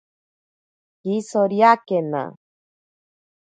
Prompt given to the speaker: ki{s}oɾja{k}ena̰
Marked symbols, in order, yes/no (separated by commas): yes, yes